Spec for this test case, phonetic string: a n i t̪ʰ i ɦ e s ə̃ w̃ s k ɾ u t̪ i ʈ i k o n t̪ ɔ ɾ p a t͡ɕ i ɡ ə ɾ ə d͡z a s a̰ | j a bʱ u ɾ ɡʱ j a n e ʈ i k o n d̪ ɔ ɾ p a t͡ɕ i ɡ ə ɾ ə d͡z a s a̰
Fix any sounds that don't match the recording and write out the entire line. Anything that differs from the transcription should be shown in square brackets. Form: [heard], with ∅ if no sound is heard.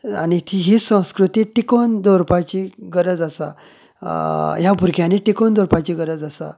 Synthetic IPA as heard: a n i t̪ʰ i ɦ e s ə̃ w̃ s k ɾ u t̪ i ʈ i k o n [d̪] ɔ ɾ p a t͡ɕ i ɡ ə ɾ ə d͡z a s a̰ | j a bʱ u ɾ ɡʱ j a n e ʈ i k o n d̪ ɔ ɾ p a t͡ɕ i ɡ ə ɾ ə d͡z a s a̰